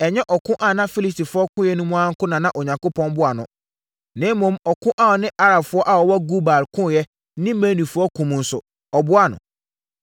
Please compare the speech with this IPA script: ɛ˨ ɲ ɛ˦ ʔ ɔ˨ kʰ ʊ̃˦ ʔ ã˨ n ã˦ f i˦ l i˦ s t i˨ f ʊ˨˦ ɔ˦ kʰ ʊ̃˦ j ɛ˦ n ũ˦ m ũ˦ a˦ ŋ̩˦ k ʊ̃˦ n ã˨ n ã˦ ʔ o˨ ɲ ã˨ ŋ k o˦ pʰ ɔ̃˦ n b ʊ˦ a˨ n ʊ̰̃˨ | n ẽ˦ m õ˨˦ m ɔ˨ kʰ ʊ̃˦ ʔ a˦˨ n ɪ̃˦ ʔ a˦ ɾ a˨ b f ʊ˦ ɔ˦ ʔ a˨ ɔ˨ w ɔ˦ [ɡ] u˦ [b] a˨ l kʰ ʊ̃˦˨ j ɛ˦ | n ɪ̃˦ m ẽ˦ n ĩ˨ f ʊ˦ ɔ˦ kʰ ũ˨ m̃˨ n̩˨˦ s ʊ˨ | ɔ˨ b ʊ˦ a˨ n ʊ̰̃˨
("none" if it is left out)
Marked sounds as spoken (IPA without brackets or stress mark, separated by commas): ɡ, b